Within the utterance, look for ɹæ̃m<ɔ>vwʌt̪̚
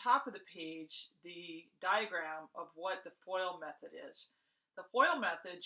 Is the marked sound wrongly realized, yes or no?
yes